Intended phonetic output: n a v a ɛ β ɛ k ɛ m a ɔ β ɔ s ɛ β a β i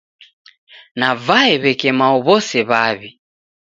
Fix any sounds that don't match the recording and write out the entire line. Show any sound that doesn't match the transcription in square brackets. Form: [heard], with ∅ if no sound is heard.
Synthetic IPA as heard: n a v a ɛ β ɛ k ɛ m a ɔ β ɔ s ɛ β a β i